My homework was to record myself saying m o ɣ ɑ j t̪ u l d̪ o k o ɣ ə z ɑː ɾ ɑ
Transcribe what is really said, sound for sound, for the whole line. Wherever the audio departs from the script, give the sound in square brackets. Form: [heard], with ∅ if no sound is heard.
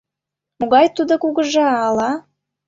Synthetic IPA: m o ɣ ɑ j t̪ u [∅] d̪ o k [u] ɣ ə [ʒ] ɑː [l] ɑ